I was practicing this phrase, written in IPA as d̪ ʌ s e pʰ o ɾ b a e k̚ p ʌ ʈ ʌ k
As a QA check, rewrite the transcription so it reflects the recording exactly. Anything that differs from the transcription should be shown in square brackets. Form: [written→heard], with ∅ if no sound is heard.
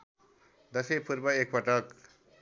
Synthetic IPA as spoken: d̪ ʌ s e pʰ [o→u] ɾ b [a→ʌ] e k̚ p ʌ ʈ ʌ k